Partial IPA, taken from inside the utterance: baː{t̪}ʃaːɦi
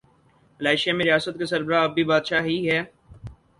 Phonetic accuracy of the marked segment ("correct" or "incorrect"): incorrect